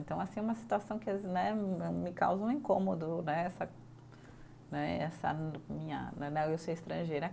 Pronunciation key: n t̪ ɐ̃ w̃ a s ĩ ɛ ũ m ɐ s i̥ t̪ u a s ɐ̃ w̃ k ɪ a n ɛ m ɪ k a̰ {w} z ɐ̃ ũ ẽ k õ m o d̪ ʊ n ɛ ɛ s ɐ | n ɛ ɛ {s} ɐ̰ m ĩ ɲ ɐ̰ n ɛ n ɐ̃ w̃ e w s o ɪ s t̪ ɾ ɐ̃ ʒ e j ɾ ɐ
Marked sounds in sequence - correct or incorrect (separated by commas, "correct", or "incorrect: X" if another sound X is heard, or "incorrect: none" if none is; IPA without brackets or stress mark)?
correct, correct